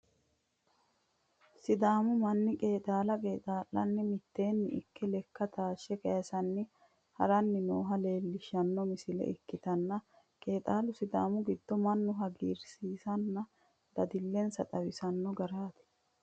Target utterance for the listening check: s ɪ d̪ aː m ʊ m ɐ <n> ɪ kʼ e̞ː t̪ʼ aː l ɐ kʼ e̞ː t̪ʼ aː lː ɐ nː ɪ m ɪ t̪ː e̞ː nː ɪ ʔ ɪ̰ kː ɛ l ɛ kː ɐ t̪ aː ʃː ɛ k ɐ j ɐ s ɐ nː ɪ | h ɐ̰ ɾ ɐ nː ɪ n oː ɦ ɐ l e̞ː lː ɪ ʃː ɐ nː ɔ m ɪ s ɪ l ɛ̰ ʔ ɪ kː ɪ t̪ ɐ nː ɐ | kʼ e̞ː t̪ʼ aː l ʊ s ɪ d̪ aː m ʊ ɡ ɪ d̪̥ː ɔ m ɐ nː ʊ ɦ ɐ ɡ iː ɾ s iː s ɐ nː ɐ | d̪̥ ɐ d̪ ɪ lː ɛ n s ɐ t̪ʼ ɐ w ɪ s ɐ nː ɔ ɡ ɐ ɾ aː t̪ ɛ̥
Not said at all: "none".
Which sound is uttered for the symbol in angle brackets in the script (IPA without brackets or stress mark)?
nː